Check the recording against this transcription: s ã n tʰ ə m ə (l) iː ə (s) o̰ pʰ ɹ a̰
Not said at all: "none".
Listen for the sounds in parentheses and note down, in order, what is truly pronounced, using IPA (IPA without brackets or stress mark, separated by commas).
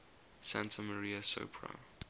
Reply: ɹ, s